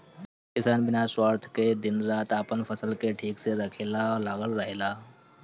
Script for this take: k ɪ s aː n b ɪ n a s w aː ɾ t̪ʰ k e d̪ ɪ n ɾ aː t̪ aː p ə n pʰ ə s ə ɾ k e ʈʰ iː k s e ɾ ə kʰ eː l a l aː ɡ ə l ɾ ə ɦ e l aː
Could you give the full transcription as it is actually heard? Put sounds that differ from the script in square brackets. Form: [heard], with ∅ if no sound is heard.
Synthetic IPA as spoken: k ɪ s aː n b ɪ n a s w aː ɾ t̪ʰ k e d̪ ɪ n ɾ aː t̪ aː p ə n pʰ ə s ə [l] k e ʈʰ iː k s e ɾ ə kʰ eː l a l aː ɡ ə l ɾ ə ɦ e l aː